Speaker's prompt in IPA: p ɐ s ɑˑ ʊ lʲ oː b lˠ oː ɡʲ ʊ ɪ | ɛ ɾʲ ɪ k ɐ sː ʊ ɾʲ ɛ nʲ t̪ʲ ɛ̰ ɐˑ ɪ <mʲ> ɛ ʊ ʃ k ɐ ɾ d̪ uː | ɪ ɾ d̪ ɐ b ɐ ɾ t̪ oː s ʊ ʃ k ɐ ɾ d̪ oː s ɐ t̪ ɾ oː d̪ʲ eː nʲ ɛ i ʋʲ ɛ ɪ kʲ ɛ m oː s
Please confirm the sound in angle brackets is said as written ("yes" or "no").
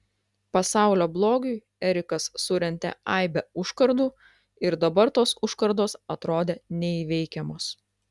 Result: no